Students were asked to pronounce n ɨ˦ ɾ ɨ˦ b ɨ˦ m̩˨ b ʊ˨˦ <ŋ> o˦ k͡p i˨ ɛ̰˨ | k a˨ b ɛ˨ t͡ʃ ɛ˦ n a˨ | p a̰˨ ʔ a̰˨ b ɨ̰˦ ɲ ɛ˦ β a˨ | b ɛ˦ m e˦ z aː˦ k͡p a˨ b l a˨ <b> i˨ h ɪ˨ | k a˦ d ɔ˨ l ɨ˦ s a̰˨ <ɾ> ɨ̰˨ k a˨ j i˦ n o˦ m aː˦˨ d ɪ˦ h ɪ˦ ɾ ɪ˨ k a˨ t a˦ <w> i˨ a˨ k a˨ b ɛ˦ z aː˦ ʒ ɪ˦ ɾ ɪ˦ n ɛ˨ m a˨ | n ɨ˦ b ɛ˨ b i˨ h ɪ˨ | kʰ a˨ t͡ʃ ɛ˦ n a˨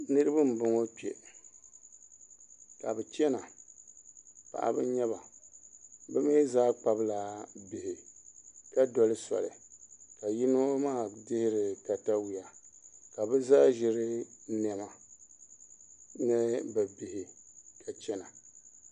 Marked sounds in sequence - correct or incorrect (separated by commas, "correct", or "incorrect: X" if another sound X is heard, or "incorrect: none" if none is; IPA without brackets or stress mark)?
correct, correct, incorrect: l, correct